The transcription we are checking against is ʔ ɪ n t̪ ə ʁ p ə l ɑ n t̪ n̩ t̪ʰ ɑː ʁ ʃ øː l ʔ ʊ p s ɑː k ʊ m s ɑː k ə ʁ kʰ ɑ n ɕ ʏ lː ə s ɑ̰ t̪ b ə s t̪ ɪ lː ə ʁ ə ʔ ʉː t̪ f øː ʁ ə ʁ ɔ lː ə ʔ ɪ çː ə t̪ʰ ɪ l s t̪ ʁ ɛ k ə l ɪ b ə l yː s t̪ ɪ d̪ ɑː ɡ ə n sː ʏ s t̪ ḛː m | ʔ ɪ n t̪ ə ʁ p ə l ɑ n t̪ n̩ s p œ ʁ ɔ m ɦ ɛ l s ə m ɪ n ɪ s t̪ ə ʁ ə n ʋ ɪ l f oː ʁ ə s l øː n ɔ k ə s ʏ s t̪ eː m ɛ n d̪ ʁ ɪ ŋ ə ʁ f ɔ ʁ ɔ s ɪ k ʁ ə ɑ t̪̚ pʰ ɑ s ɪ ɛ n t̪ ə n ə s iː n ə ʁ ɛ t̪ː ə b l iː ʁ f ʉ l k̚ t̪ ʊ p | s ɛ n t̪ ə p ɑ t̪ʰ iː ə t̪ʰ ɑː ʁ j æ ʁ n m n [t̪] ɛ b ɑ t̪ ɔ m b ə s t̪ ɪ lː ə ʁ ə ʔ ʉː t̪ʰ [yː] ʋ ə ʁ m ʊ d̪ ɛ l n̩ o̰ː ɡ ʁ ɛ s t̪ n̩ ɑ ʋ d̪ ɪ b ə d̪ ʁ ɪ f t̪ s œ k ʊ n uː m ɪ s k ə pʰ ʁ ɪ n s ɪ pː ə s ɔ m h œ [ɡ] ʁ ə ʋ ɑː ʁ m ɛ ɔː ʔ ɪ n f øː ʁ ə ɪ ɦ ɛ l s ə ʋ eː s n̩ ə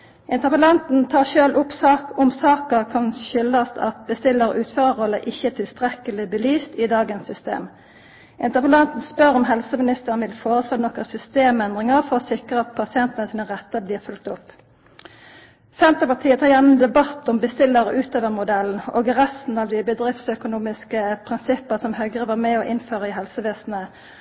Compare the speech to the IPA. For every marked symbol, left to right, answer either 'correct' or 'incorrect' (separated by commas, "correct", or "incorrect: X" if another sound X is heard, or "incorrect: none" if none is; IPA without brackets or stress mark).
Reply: incorrect: d̪, incorrect: øː, correct